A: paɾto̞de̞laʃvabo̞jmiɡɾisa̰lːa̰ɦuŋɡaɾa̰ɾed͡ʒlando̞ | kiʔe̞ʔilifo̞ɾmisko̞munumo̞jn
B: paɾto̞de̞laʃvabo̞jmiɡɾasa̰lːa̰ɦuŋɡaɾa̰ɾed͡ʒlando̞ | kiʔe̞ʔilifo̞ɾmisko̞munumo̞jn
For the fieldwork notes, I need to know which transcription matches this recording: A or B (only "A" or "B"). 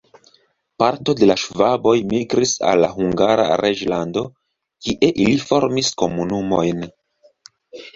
A